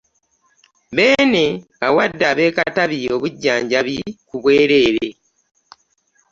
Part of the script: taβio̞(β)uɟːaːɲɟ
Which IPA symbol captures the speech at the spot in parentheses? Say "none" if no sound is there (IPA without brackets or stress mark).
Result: β